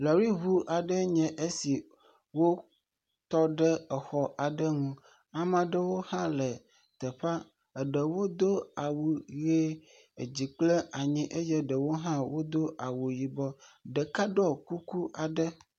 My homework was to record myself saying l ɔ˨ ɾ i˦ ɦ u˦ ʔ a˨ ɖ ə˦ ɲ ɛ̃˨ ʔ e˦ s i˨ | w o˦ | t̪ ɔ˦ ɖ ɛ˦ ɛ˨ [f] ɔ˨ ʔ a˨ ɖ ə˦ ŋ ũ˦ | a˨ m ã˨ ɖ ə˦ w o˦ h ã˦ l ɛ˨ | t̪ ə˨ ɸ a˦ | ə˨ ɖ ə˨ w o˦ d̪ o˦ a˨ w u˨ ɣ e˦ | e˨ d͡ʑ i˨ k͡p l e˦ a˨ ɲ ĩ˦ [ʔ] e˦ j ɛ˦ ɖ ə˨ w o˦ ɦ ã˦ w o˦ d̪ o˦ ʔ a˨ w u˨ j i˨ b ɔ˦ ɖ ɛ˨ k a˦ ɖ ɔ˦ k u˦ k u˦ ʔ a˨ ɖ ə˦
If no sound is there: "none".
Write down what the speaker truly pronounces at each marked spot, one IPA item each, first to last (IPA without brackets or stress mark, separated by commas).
x, ʔ